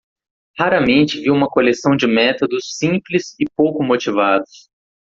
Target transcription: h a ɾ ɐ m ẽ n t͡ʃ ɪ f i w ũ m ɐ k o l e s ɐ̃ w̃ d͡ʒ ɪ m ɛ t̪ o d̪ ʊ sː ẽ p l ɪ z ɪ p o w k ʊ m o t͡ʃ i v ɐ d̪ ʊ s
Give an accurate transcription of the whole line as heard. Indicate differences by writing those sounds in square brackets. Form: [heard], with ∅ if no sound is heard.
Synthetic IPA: h a ɾ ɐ m ẽ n t͡ʃ ɪ [v] i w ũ m ɐ k o l e s ɐ̃ w̃ d͡ʒ ɪ m ɛ t̪ o d̪ ʊ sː [ĩ] p l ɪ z ɪ p o w k ʊ m o t͡ʃ i v [a] d̪ ʊ s